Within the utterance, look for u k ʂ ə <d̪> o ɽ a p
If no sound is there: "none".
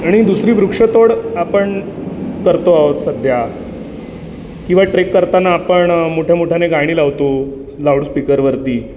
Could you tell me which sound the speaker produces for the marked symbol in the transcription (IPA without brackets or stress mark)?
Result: t̪